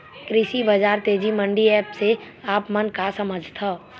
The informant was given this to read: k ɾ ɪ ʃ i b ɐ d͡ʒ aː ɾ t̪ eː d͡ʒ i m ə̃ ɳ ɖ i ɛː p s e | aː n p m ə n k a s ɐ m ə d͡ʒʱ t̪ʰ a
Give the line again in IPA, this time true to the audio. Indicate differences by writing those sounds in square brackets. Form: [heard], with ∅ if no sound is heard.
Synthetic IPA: k ɾ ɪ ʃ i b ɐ d͡ʒ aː ɾ t̪ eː d͡ʒ i m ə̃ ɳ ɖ i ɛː p s e | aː [∅] p m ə n k a s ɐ m ə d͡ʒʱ t̪ʰ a